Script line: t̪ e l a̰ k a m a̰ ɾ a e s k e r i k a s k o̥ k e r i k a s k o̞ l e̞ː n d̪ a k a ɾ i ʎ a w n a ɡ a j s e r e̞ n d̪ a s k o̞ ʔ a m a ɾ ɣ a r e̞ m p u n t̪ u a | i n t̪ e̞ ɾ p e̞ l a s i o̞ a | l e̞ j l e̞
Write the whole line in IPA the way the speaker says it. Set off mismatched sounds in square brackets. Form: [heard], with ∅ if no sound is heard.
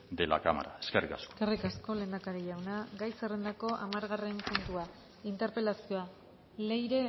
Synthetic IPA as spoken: [d̪] e l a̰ k a m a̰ ɾ a e s k e r i k a s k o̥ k e r i k a s k o̞ l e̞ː n d̪ a k a ɾ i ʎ a w n a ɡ a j s e r e̞ n d̪ a [∅] k o̞ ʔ a m a ɾ ɣ a r e̞ m p u n t̪ u a | i n t̪ e̞ ɾ p e̞ l a s i o̞ a | l e̞ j [ɾ] e̞

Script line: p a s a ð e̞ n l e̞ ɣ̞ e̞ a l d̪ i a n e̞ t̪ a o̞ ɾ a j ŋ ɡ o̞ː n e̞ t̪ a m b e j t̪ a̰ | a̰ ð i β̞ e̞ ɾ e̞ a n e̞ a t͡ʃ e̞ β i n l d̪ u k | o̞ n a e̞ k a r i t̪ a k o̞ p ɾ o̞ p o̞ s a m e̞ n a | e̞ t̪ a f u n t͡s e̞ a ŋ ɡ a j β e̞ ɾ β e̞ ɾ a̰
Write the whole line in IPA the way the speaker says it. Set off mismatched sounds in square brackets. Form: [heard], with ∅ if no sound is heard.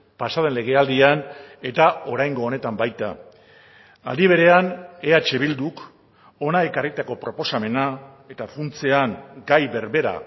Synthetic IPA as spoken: p a s a ð e̞ n l e̞ ɣ̞ e̞ a l d̪ i a n e̞ t̪ a o̞ ɾ a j ŋ ɡ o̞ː n e̞ t̪ a m b [a] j t̪ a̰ | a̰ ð i β̞ e̞ ɾ e̞ a n e̞ a t͡ʃ e̞ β i [∅] l d̪ u k | o̞ n a e̞ k a r i t̪ a k o̞ p ɾ o̞ p o̞ s a m e̞ n a | e̞ t̪ a f u n t͡s e̞ a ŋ ɡ a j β e̞ ɾ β e̞ ɾ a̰

